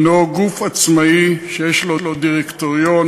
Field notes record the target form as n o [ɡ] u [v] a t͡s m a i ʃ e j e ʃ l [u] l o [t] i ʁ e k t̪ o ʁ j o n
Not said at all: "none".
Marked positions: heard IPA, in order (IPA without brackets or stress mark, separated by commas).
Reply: ɡ, f, o, d